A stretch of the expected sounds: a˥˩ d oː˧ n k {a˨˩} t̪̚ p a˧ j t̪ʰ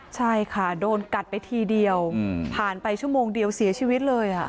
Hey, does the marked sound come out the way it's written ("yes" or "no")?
yes